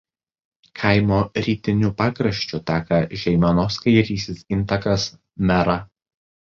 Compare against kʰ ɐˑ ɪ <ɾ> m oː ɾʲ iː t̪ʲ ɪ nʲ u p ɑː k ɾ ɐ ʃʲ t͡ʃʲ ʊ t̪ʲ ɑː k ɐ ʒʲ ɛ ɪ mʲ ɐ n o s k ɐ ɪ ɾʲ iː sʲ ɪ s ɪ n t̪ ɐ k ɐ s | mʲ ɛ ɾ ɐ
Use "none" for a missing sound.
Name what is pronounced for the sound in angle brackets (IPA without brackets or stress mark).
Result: none